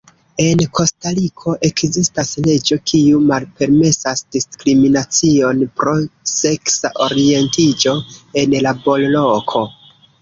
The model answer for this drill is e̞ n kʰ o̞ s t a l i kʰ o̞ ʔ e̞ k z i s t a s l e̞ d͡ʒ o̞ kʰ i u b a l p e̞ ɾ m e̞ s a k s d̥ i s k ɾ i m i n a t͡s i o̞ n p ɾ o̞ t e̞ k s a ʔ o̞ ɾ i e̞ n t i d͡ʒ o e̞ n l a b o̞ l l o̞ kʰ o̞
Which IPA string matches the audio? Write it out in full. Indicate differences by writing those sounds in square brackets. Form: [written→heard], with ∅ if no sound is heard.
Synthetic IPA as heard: e̞ n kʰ o̞ s t a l i kʰ o̞ ʔ e̞ k z i s t a s l e̞ d͡ʒ o̞ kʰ i u [b→m] a l p e̞ ɾ m e̞ s a [k→∅] s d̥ i s k ɾ i m i n a t͡s i o̞ n p ɾ o̞ [t→s] e̞ k s a ʔ o̞ ɾ i e̞ n t i d͡ʒ o e̞ n l a b o̞ l l o̞ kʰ o̞